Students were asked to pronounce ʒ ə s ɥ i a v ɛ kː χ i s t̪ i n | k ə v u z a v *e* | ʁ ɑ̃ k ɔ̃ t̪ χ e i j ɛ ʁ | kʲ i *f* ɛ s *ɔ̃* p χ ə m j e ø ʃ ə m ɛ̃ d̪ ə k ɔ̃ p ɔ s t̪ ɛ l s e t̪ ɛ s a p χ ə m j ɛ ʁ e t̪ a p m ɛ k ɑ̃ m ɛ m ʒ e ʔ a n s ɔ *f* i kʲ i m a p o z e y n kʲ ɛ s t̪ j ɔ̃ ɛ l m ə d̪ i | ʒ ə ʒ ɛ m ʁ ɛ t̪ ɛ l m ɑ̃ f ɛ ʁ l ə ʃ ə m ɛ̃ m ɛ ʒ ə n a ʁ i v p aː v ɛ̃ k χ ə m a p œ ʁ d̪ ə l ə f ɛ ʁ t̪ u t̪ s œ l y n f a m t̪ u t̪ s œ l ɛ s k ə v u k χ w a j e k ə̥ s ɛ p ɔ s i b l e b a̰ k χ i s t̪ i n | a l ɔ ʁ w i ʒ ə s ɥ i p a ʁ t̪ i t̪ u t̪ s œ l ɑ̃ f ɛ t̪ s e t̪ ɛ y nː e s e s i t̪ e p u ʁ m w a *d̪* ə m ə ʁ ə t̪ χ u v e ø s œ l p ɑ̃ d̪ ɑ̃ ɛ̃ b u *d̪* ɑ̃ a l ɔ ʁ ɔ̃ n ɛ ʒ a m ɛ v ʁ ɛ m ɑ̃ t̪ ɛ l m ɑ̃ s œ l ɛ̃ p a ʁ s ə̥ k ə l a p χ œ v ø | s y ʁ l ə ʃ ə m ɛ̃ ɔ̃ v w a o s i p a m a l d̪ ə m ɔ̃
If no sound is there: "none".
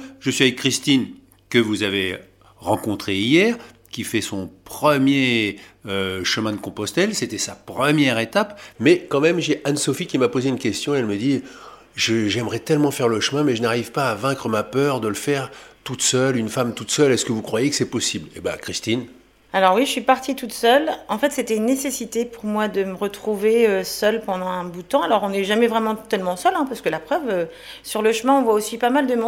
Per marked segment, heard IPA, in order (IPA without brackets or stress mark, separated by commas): e, f, ɔ̃, f, d̪, t̪